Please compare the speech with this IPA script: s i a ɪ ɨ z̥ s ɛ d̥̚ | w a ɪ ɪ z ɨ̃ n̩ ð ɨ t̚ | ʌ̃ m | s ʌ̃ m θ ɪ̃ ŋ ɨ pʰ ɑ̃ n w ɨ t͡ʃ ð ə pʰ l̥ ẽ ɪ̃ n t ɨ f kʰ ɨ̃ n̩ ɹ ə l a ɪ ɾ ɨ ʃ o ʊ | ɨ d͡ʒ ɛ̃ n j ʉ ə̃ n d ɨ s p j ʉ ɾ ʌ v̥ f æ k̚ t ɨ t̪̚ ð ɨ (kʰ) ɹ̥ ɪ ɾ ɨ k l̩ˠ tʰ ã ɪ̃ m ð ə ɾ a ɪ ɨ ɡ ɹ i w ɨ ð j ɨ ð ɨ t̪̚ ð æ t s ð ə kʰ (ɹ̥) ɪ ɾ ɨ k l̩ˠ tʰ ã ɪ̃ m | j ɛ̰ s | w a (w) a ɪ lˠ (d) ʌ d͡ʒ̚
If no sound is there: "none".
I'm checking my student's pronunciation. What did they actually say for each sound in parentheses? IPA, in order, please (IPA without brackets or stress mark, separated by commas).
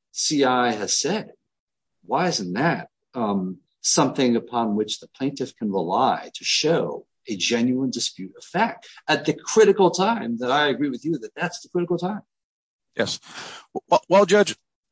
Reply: kʰ, ɹ̥, w, d͡ʒ